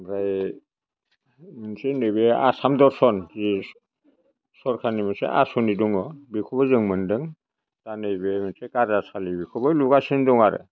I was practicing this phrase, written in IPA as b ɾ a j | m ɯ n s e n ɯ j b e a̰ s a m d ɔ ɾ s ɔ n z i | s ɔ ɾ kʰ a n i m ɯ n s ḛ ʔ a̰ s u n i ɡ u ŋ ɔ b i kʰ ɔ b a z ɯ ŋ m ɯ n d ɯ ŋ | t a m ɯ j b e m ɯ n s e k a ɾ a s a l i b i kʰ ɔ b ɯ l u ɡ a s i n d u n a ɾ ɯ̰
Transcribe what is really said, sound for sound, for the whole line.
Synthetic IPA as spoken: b ɾ a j | m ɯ n s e n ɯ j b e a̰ s a m d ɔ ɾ s ɔ n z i | s ɔ ɾ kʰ a n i m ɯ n s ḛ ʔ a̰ s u n i d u ŋ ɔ b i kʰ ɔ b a z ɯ ŋ m ɯ n d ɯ ŋ | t a n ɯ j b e m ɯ n s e k a ɾ a s a l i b i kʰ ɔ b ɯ l u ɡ a s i n d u ŋ a ɾ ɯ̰